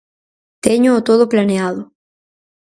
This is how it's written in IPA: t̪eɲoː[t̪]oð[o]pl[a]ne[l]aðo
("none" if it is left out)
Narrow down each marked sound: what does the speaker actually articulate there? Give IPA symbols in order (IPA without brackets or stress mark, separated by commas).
t̪, o, a, none